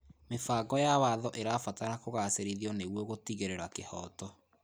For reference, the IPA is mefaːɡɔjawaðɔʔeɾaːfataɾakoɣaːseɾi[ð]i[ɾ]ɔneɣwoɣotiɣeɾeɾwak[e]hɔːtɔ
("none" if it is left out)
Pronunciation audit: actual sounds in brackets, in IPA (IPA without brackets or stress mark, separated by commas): ð, none, e